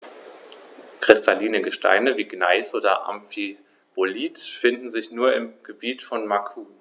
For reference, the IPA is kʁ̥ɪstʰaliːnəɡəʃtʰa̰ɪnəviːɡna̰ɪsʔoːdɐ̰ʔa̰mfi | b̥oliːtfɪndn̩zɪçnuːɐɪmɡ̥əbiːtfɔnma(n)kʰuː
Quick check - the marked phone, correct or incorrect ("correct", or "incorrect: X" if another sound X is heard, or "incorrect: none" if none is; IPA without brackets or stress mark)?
incorrect: none